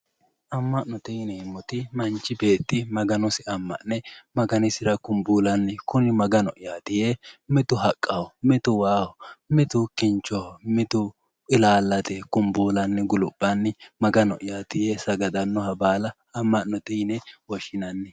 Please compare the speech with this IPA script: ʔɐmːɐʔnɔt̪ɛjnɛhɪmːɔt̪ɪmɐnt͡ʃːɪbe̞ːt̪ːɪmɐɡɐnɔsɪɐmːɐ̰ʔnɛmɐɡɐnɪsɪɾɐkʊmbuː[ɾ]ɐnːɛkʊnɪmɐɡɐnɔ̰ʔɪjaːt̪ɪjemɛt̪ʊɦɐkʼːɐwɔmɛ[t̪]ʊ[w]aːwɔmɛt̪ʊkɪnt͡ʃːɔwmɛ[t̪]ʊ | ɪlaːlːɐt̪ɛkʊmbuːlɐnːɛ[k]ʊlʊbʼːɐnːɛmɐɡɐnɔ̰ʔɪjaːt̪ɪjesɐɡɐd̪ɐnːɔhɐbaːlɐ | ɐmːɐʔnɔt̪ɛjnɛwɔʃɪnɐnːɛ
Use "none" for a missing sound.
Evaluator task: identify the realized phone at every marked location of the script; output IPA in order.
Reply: l, t̪, w, t̪, ɡ

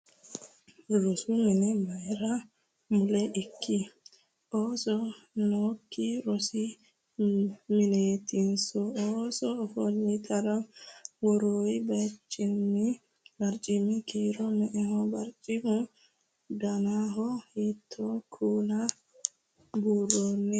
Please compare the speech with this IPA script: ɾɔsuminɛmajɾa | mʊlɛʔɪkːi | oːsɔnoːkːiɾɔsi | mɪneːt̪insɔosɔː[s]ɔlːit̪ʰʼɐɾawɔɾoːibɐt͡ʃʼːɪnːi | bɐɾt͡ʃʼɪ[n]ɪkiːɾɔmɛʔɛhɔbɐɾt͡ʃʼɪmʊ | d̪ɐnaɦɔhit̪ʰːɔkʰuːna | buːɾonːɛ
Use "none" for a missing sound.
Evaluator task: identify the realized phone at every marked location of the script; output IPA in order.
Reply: f, m

